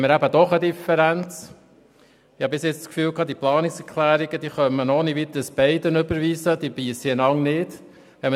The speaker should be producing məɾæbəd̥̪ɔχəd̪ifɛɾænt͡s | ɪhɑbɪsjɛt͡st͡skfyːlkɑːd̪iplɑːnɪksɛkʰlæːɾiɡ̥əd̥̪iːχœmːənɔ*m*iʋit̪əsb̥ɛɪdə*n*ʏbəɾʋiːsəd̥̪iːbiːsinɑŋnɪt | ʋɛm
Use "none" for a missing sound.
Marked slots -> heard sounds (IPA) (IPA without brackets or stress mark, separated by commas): n, n